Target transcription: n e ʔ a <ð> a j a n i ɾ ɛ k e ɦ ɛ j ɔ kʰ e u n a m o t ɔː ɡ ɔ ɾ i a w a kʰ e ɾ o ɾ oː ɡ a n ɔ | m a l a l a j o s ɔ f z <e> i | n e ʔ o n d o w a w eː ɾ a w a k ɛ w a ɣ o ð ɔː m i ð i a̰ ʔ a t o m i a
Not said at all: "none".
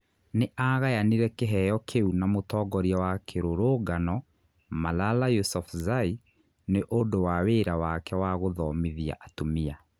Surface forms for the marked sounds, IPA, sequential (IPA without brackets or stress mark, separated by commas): ɣ, a